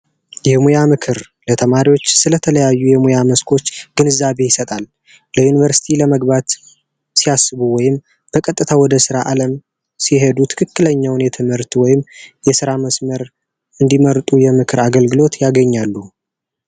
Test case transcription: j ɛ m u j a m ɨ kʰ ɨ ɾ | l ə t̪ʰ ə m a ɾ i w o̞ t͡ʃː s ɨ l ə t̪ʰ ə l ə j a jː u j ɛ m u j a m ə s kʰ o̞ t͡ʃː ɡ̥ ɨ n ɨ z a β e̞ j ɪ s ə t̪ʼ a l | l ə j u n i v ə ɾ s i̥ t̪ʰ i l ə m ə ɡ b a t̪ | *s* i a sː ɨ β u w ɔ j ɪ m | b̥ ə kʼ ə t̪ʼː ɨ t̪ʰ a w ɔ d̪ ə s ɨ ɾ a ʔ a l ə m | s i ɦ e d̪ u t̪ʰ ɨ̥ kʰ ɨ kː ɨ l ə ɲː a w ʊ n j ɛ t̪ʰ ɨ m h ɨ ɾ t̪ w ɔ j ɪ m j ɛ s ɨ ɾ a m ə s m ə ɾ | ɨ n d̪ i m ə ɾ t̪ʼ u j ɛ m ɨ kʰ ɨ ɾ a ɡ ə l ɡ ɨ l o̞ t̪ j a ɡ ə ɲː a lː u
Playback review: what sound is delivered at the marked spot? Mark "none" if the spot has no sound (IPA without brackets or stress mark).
s